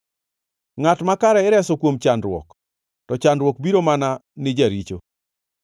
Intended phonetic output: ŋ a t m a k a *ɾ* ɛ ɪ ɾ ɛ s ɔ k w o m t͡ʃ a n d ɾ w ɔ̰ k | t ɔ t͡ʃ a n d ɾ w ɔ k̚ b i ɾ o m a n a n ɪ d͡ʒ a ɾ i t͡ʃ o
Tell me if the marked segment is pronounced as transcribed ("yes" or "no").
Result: yes